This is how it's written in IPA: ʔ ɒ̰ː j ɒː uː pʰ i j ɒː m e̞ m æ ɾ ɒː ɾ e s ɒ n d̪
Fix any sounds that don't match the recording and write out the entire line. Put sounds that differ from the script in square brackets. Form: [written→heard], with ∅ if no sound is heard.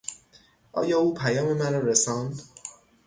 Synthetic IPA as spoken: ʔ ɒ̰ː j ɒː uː pʰ [i→æ] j ɒː m e̞ m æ ɾ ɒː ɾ e s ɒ n d̪